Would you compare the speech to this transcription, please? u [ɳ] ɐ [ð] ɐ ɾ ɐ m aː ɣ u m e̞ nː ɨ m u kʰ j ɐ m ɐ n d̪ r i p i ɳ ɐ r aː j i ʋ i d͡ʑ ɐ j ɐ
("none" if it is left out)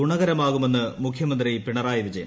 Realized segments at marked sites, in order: ɳ, ɣ

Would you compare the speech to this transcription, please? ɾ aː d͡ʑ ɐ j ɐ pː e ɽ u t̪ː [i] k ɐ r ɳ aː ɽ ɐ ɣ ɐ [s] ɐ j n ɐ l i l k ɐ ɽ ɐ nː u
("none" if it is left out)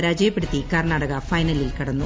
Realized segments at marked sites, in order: i, f

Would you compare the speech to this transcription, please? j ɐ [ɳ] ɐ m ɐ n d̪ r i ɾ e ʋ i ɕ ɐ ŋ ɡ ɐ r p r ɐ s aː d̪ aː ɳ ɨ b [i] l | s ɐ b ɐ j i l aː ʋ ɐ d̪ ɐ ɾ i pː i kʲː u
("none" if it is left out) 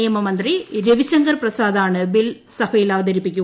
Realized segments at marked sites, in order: m, i

